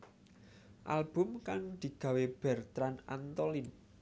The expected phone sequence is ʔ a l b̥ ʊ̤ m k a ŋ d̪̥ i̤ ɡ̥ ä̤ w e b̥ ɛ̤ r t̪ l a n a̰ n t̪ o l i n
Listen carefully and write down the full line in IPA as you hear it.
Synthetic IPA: ʔ a l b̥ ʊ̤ m k a ŋ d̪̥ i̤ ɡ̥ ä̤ w e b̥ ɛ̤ r t̪ ɾ a n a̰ n t̪ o l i n